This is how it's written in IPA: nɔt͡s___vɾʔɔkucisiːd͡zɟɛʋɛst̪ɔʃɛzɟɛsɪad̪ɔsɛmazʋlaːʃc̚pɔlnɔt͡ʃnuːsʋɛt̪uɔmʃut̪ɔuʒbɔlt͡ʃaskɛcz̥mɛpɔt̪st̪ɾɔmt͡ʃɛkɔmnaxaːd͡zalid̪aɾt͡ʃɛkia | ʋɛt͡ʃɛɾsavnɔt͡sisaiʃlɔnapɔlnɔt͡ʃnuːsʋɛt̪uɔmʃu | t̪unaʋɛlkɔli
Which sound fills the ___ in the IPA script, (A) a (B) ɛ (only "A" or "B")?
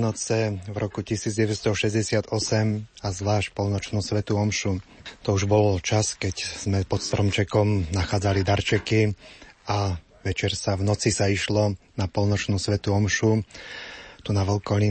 B